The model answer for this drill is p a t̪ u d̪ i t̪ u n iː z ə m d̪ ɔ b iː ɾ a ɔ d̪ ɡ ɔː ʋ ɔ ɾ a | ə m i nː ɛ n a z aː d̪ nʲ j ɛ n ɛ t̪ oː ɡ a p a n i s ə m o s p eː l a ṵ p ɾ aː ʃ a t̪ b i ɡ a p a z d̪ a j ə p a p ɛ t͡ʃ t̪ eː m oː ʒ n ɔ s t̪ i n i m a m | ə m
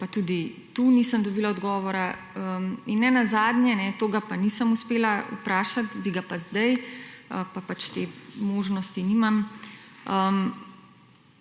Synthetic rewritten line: p a t̪ u d̪ i t̪ u n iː s ə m d̪ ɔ b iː l a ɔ d̪ ɡ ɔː ʋ ɔ ɾ a | ə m i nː ɛ n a z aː d̪ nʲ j ɛ n ɛ t̪ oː ɡ a p a n i s ə m u s p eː l a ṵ p ɾ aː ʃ a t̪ b i ɡ a p a z d̪ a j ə p a p a t͡ʃ t̪ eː m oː ʒ n ɔ s t̪ i n i m a m | ə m